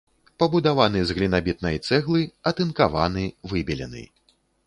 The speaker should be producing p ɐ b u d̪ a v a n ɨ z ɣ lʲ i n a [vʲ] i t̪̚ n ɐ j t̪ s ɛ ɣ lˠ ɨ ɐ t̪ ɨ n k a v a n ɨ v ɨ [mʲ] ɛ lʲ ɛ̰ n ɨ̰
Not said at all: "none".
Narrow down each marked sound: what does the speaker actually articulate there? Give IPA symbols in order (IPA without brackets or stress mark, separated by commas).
bʲ, bʲ